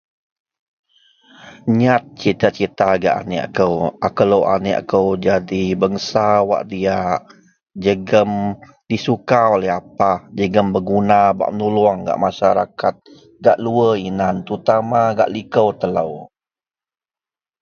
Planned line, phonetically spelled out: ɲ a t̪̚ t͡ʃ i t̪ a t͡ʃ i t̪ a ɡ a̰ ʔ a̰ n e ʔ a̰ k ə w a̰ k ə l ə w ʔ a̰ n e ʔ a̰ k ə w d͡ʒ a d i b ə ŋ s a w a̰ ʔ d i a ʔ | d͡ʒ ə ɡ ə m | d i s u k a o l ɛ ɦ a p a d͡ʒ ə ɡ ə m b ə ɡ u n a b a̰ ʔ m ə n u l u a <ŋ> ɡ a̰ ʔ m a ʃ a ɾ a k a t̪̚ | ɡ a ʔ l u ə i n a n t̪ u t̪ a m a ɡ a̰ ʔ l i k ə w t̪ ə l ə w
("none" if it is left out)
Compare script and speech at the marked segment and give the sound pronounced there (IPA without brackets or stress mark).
ŋ